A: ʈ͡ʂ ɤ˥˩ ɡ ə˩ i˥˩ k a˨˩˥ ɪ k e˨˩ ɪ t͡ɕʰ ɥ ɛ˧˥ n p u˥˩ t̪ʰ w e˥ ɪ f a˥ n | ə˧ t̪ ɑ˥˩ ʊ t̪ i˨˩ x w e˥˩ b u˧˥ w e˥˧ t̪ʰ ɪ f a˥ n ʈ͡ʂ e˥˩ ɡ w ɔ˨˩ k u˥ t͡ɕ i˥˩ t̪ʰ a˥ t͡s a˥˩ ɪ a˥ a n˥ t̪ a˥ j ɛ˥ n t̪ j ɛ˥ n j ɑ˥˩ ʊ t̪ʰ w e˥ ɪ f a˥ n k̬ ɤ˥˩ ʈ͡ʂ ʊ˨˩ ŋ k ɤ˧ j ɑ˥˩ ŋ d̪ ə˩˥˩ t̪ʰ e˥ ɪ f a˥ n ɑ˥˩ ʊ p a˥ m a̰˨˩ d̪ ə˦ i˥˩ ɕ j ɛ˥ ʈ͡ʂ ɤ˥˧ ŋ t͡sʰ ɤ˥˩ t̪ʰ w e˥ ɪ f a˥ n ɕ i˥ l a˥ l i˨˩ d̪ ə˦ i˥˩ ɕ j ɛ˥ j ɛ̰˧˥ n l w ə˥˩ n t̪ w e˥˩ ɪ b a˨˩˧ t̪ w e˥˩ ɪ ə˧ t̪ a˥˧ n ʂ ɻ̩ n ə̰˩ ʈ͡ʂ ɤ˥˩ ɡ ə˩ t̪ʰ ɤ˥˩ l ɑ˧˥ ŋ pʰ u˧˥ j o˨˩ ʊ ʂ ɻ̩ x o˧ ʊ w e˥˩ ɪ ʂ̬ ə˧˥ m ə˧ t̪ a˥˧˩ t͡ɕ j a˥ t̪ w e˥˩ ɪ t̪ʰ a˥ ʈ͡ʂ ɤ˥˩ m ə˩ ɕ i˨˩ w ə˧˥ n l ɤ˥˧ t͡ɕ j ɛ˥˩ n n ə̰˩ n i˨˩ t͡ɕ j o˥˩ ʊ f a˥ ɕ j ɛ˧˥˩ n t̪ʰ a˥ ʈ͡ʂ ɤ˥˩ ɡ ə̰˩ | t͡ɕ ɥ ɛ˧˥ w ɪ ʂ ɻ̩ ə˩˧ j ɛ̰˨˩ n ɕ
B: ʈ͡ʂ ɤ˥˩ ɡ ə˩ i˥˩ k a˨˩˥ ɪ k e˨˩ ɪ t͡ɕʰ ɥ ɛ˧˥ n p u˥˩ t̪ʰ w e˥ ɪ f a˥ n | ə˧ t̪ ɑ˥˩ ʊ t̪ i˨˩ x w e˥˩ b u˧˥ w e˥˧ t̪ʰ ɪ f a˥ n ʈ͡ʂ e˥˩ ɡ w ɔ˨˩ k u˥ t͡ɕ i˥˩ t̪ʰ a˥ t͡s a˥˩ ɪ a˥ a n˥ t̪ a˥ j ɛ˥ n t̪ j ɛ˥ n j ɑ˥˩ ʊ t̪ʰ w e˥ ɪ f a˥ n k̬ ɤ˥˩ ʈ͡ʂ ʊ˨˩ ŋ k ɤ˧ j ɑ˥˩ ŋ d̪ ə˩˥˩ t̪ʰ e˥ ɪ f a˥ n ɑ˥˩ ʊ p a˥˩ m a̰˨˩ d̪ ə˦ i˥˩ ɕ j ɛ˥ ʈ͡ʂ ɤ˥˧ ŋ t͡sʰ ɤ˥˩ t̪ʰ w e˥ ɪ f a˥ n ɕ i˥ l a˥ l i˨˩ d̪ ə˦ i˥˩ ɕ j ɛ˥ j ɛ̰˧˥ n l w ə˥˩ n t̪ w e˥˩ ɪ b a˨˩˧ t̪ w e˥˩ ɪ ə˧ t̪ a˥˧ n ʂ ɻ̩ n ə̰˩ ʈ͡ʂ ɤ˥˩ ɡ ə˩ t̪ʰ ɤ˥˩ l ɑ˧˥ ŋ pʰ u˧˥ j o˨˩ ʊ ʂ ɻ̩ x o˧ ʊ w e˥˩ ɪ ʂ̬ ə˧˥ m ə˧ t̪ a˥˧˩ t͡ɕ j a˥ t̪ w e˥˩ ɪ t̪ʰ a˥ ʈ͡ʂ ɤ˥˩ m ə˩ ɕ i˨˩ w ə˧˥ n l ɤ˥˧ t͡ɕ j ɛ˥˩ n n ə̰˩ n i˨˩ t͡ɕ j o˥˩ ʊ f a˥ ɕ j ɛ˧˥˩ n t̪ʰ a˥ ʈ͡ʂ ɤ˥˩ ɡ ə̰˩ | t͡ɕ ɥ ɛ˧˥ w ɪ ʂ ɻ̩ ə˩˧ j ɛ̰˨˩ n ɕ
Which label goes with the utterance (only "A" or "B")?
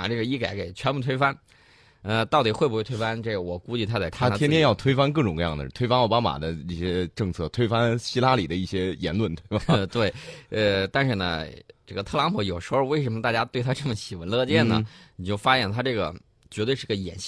A